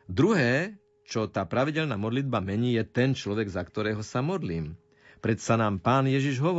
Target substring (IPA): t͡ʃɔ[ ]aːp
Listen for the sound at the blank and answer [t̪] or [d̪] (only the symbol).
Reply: t̪